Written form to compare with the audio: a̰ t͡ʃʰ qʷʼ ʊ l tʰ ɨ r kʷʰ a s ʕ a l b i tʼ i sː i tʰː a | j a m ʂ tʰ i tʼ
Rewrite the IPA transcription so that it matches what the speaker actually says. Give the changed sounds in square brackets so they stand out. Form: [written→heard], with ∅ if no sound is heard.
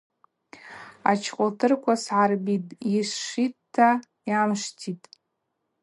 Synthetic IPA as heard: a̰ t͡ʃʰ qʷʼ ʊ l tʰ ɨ r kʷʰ a s ʕ a [l→r] b i tʼ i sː i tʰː a | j a m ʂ tʰ i tʼ